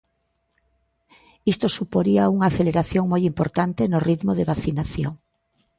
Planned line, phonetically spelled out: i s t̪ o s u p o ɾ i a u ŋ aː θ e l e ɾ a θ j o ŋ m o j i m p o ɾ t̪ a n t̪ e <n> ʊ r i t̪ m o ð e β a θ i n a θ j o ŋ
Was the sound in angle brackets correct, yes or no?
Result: yes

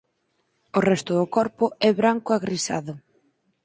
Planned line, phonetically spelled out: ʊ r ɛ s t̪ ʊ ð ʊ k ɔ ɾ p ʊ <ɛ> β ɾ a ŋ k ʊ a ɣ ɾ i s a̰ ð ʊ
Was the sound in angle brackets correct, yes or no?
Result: yes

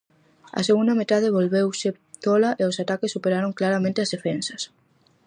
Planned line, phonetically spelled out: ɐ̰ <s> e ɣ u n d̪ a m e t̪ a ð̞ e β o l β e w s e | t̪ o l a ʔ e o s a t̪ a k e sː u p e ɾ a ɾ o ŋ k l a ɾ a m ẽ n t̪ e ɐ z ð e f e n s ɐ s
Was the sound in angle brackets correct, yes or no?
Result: yes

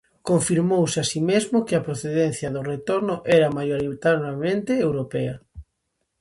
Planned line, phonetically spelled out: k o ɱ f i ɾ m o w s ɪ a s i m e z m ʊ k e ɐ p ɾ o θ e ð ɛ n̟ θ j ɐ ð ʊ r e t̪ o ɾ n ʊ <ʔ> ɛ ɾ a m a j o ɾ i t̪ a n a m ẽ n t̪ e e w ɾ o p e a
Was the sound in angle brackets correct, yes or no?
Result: yes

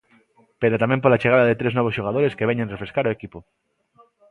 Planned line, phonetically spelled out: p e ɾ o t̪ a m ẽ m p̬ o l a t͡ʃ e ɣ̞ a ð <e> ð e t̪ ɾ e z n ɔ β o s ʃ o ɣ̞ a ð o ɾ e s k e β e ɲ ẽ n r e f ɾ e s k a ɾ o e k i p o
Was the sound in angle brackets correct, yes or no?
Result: no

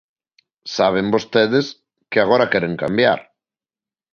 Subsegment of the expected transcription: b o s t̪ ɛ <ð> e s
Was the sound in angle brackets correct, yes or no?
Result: yes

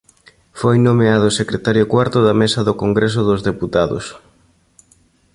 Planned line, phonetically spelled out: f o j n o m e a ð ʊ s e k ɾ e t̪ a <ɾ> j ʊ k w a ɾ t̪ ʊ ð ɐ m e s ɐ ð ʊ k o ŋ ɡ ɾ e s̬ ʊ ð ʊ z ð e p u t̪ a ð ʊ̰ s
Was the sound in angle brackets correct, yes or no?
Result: yes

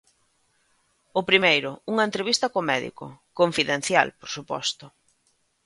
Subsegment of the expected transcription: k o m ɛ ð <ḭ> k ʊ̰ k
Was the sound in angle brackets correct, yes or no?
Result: yes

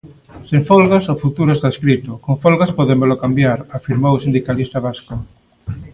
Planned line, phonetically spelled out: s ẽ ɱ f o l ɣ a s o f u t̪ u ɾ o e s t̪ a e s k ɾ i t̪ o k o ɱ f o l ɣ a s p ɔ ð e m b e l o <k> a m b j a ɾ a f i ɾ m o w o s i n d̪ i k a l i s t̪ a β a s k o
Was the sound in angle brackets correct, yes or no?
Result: yes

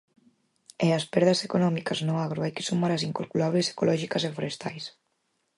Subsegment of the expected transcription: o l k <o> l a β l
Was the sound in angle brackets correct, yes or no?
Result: no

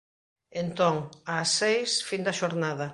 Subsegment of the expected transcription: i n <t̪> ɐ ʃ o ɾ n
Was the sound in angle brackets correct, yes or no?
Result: no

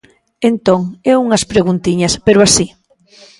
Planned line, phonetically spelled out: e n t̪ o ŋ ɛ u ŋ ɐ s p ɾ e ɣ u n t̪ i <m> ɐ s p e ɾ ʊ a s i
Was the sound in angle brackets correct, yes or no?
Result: no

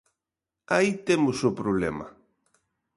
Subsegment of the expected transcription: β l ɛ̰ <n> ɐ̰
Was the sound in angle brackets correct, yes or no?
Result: no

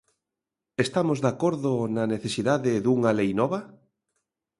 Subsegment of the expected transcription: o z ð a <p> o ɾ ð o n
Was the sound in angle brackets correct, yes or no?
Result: no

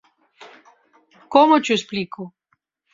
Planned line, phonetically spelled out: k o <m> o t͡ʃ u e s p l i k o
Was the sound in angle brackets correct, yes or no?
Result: yes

